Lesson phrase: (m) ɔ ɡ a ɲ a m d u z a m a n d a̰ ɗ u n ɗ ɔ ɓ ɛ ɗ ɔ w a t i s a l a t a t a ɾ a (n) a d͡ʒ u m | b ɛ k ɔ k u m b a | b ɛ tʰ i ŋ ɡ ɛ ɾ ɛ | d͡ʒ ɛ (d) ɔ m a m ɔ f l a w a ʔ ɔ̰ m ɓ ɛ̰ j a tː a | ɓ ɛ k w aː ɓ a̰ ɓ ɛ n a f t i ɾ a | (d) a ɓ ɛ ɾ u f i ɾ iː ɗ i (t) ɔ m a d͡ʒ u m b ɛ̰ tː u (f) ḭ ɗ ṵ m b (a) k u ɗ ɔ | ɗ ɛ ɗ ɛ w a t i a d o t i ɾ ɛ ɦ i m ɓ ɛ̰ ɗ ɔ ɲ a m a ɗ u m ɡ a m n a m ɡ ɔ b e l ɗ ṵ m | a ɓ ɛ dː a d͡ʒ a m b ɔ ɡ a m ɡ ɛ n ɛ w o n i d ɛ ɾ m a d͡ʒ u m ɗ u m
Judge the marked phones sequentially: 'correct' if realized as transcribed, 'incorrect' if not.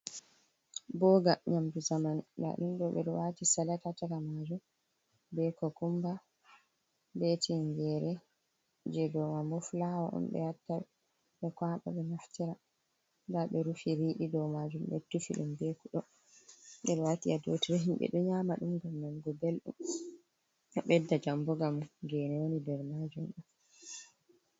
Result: incorrect, incorrect, correct, correct, incorrect, correct, incorrect

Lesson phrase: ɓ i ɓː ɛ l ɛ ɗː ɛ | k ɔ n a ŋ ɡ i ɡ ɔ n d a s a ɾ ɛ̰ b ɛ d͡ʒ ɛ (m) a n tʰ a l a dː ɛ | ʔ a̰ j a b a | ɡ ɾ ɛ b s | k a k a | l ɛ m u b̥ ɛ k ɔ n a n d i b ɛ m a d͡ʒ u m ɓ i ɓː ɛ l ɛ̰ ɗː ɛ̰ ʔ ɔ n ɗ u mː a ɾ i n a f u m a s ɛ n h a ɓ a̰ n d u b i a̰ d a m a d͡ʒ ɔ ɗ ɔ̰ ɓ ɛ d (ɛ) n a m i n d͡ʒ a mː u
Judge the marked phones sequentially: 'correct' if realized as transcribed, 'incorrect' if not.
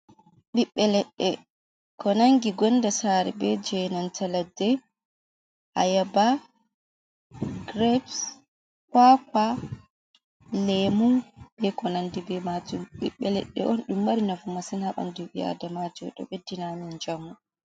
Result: incorrect, incorrect

